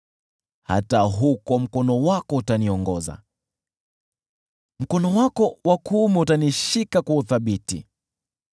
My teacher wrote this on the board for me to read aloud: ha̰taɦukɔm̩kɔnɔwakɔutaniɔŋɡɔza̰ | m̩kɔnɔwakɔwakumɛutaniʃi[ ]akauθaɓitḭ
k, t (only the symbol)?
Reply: k